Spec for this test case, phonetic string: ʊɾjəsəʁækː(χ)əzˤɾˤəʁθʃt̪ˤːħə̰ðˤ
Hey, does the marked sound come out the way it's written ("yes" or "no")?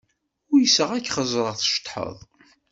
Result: yes